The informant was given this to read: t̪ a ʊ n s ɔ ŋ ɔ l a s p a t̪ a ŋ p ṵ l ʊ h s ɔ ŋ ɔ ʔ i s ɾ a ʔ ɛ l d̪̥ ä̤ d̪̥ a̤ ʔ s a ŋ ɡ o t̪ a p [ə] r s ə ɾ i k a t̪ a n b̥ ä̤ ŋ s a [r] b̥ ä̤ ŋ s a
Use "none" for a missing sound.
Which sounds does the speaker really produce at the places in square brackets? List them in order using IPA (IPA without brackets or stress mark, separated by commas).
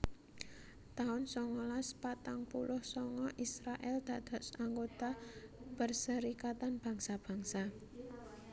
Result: ə, none